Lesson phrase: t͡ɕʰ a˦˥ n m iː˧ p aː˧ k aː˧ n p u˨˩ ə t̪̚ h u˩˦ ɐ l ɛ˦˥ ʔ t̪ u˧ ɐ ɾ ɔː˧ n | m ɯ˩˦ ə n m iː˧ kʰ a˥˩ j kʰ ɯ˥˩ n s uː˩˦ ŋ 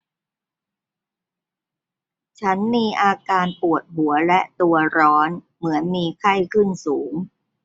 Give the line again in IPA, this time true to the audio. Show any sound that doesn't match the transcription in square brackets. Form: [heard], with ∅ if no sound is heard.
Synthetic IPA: t͡ɕʰ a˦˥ n m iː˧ [ʔ] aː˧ k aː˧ n p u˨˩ ə t̪̚ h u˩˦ ɐ l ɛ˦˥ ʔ t̪ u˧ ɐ ɾ [ɔː˦˥] n | m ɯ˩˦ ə n m iː˧ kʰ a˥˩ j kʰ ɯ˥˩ n s uː˩˦ ŋ